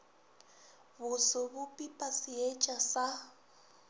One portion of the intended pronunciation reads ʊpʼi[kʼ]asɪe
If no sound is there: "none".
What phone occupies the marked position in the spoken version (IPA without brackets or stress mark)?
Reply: pʼ